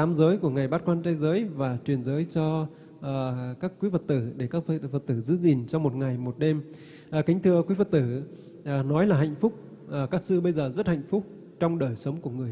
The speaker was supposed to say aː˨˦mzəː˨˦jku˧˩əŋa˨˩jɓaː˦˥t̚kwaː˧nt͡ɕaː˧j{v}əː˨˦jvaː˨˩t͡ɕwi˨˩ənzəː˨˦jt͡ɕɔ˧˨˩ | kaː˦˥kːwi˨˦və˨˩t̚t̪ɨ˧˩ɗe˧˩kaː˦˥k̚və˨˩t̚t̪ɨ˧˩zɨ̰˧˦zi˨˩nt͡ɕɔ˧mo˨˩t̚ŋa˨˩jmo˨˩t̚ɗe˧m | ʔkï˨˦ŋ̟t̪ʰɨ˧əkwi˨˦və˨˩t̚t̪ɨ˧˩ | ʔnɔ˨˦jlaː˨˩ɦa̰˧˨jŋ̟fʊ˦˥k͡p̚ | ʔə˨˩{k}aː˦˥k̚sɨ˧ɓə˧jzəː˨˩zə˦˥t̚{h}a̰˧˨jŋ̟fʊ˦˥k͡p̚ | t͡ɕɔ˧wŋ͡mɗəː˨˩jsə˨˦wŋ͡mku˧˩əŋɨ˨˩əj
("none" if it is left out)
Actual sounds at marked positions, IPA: z, k, h

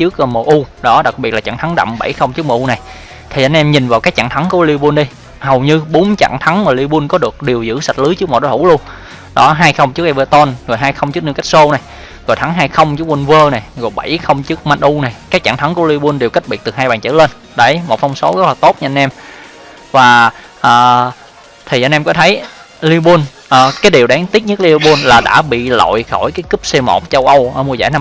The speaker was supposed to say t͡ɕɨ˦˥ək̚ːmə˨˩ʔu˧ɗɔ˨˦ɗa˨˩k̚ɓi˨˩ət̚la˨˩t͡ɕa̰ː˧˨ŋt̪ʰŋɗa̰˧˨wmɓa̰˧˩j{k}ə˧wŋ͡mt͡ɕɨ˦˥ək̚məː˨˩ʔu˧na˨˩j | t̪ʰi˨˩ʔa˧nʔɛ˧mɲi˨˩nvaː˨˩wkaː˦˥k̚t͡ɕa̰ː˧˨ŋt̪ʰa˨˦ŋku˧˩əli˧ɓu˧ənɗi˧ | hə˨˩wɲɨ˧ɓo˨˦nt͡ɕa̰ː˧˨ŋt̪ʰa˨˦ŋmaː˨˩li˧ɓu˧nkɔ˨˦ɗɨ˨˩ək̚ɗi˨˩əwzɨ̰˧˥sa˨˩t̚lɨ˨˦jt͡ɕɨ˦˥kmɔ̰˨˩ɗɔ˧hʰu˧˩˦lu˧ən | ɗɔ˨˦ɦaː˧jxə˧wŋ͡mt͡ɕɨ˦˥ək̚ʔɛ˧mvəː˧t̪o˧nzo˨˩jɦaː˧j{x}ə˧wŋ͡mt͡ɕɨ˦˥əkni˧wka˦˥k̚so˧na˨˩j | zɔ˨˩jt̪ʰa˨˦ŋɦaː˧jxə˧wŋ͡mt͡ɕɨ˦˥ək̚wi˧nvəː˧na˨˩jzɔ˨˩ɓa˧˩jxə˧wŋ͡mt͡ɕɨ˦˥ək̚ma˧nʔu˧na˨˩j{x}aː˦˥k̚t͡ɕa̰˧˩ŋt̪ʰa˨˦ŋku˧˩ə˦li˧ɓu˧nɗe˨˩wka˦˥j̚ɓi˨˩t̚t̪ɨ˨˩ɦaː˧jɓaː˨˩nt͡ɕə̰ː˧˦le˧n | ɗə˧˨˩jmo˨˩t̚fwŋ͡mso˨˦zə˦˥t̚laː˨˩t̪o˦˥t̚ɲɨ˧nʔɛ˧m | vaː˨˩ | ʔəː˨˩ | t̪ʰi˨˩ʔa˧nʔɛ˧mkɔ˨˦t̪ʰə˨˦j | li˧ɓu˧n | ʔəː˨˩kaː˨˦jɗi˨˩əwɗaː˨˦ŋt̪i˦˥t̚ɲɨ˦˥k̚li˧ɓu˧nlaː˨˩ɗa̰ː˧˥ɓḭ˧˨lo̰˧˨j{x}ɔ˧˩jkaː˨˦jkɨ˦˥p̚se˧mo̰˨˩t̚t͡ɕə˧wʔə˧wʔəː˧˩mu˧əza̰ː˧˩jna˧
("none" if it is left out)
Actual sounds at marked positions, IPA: x, x, k, x

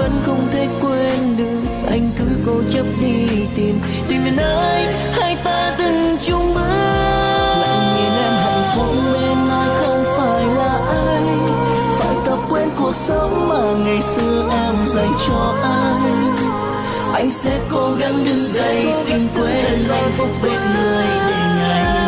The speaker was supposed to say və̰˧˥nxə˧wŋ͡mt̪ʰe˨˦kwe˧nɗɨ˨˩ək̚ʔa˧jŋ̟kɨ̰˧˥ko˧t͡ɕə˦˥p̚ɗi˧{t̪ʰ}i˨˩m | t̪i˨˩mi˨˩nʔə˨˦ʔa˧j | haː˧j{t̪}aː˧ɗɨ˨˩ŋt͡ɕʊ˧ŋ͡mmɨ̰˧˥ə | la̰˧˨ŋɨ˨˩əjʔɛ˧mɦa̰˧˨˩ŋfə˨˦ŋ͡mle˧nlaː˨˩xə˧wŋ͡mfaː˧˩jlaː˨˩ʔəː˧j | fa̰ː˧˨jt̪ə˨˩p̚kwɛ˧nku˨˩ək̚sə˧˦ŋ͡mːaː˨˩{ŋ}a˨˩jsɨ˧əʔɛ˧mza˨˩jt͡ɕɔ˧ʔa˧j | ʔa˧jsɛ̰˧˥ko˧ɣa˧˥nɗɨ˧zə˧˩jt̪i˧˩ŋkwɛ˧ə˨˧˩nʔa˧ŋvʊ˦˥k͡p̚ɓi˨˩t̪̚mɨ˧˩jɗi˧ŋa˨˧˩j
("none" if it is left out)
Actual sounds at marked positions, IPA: t̪, t̪, ŋ

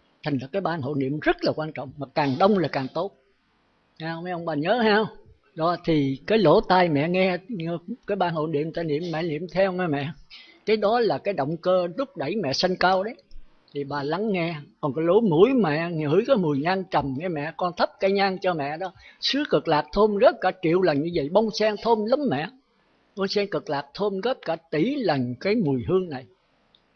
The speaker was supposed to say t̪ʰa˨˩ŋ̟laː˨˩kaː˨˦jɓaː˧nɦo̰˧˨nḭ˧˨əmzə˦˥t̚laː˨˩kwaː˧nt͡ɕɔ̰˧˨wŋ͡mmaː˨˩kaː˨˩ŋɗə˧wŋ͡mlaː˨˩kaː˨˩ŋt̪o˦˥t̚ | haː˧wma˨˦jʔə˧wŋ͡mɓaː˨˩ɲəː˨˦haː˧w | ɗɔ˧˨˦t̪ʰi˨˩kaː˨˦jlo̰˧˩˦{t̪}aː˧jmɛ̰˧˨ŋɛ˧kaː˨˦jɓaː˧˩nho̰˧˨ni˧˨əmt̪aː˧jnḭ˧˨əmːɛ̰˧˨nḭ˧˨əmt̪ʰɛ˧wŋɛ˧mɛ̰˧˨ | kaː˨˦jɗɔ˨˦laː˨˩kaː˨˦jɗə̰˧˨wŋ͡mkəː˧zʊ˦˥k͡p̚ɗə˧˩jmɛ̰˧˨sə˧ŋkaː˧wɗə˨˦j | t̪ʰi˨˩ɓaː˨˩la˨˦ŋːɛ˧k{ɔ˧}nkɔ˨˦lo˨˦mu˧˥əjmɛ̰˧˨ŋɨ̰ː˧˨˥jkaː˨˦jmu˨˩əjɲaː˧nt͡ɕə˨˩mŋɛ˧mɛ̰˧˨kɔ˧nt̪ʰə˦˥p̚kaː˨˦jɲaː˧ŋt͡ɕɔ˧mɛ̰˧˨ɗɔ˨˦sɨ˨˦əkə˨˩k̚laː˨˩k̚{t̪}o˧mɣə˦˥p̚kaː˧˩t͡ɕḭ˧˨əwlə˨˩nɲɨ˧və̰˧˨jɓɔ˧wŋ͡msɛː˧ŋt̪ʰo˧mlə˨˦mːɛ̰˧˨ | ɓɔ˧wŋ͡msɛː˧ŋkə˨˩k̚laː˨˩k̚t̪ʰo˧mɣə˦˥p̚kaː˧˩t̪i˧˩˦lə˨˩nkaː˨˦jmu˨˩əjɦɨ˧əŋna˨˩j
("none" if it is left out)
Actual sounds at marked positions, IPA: t̪, ɔ˨˩, t̪ʰ

